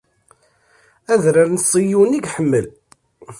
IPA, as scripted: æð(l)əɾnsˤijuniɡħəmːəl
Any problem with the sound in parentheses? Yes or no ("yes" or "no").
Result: yes